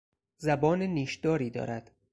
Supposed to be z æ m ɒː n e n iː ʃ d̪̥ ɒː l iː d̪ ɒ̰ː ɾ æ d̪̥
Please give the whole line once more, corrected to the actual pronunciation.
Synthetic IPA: z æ b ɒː n e n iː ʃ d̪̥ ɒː ɾ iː d̪ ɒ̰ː ɾ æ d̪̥